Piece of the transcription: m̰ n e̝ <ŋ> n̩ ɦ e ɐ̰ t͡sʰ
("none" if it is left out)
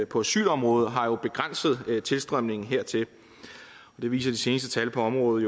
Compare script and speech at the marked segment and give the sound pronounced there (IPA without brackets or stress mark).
ŋ